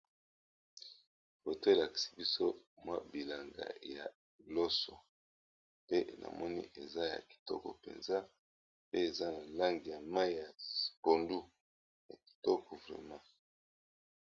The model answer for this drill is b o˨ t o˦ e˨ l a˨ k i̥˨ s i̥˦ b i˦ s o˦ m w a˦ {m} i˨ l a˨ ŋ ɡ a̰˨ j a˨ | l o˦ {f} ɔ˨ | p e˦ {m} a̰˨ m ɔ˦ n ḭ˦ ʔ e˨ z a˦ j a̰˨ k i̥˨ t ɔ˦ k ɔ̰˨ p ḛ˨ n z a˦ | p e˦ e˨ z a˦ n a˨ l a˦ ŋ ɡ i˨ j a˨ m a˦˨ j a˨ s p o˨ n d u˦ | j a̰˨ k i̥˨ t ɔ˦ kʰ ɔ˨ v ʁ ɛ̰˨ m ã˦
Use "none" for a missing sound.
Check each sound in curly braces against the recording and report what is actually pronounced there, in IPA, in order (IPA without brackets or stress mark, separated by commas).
b, s, n